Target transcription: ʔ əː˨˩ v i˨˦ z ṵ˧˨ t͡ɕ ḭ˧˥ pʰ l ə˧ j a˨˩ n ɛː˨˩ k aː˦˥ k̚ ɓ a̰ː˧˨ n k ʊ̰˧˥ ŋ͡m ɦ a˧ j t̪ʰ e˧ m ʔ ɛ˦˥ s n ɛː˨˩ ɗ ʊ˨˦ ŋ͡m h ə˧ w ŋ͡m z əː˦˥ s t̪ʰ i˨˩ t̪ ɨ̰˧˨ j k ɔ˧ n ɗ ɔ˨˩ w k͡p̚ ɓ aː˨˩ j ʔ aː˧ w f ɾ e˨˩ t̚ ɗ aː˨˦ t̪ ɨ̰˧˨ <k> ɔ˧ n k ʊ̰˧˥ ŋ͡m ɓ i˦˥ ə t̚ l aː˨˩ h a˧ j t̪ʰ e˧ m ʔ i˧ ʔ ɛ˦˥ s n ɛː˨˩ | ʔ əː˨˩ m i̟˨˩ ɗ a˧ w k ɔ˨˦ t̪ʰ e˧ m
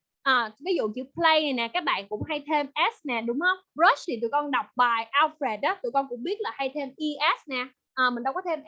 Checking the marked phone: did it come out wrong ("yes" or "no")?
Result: no